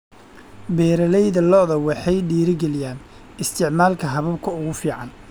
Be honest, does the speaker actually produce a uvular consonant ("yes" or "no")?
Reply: no